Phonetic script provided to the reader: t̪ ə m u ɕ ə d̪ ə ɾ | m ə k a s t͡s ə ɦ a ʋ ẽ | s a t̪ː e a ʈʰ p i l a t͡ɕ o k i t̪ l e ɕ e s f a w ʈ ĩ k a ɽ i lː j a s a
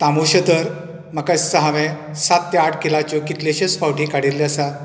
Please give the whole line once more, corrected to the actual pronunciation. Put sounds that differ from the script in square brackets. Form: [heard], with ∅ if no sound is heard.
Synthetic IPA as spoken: t̪ [a] m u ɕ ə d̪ ə ɾ | m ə k a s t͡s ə ɦ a ʋ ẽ | s a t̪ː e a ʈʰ [k] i l a t͡ɕ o k i t̪ l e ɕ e s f a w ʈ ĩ k a ɽ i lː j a s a